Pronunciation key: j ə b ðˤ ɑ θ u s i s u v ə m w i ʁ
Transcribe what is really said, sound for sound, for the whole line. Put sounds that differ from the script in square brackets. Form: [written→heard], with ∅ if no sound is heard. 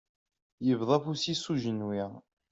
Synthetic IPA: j ə [b→v] ðˤ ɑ [θ→f] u s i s u [v→ʒ] ə [m→n] w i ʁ